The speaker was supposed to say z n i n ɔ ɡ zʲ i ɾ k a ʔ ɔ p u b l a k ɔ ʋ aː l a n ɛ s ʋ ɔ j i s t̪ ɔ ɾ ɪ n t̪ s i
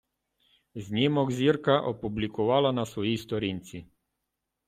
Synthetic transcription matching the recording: z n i m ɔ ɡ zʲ i ɾ k a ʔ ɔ p u b l i k ɔ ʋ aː l a n a s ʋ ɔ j i s t̪ ɔ ɾ i n t̪ s i